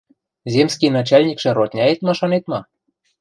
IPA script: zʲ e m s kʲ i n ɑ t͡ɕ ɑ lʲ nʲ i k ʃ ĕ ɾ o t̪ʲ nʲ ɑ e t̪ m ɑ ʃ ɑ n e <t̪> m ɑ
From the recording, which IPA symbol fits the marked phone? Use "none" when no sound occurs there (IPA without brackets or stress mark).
t̪